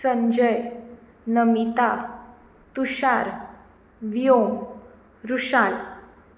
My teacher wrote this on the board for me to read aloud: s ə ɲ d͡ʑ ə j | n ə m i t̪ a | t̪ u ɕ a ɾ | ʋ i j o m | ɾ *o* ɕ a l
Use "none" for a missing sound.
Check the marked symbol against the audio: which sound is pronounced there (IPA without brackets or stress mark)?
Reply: u